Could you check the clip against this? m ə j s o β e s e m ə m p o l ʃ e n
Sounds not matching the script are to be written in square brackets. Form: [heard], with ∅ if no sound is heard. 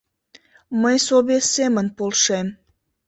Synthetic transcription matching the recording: m ə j s o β e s e m ə [n] p o l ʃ e [m]